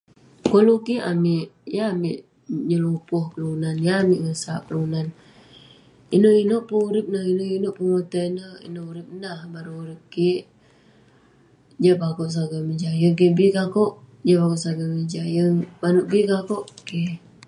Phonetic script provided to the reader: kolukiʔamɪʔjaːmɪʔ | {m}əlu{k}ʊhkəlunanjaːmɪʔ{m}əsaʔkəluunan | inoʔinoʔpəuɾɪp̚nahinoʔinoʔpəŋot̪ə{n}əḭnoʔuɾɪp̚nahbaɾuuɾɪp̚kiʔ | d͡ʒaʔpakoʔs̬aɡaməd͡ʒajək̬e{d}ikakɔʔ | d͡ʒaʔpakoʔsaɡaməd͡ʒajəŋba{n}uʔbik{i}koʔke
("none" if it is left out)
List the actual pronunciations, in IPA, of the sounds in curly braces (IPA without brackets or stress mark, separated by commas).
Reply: ɲ, p, ŋ, n, b, n, a